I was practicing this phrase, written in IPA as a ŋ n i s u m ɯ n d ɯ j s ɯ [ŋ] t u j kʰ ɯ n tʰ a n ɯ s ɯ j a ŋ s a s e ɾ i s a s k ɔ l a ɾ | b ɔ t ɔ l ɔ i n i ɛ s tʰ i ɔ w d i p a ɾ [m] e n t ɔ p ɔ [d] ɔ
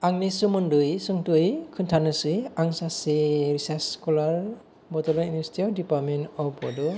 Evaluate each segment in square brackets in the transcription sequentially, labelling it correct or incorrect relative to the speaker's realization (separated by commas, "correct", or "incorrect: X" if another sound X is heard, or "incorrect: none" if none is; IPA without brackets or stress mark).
correct, correct, correct